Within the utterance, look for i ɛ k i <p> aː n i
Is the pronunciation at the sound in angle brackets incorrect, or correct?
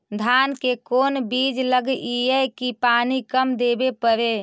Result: correct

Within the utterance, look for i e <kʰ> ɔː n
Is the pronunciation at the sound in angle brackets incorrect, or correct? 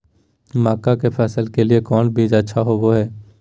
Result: incorrect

